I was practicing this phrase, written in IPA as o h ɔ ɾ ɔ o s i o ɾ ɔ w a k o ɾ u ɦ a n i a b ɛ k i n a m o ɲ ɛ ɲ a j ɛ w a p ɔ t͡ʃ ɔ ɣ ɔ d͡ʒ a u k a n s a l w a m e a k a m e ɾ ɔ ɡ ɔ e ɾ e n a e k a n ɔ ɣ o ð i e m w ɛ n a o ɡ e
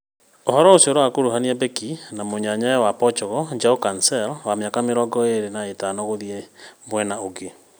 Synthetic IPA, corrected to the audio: o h ɔ ɾ ɔ o s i o ɾ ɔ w a k o ɾ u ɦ a n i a b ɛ k i n a m o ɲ a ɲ a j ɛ w a p ɔ t͡ʃ ɔ ɣ ɔ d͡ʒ a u k a n s ɛ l w a m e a k a m e ɾ ɔ ɡ ɔ e ɾ e n a e t a n ɔ ɣ o ð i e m w ɛ n a o ɡ e

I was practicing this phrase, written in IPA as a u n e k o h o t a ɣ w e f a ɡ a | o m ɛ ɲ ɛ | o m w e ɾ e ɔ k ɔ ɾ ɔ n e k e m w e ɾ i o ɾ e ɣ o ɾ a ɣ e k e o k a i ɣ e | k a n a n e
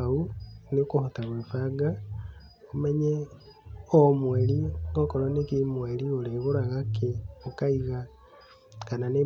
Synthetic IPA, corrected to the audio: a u n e k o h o t a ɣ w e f a ɡ a | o m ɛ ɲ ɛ | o m w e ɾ i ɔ k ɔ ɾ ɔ n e k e m w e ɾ i o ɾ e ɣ o ɾ a ɣ a k e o k a i ɣ a | k a n a n e

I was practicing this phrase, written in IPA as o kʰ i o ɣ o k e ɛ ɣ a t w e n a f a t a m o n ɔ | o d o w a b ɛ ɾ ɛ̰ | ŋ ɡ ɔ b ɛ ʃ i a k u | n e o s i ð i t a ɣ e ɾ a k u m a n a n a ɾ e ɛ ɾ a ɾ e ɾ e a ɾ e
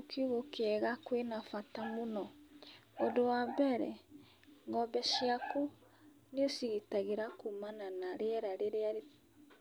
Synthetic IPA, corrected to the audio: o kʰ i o ɣ o k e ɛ ɣ a k w e n a f a t a m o n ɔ | o d o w a b ɛ ɾ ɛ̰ | ŋ ɡ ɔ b ɛ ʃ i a k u | n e o s i ɣ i t a ɣ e ɾ a k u m a n a n a ɾ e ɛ ɾ a ɾ e ɾ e a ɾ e

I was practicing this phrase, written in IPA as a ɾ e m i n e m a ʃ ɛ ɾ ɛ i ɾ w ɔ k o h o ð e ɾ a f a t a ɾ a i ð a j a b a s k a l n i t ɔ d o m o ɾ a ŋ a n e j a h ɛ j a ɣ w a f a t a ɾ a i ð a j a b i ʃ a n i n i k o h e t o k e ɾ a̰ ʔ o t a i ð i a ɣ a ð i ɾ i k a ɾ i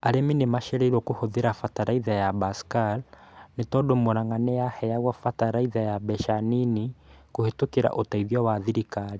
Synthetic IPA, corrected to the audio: a ɾ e m i n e m a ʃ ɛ ɾ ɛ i ɾ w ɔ k o h o ð e ɾ a f a t a ɾ a i ð a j a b a s k a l n e t ɔ d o m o ɾ a ŋ a n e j a h ɛ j a ɣ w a f a t a ɾ a i ð a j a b ɛ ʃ a n i n i k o h e t o k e ɾ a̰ ʔ o t a i ð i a w a ð i ɾ i k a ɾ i

